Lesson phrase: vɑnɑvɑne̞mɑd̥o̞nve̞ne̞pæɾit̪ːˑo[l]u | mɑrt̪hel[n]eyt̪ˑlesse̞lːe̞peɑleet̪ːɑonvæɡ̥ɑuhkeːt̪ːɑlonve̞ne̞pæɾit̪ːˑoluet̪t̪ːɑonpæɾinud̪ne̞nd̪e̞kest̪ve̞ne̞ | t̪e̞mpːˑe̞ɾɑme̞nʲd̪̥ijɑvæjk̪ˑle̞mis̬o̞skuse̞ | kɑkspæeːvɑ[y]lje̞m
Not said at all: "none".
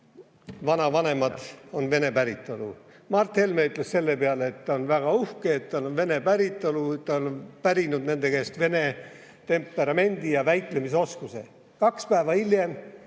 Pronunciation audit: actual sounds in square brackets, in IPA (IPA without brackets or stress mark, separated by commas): l, m, i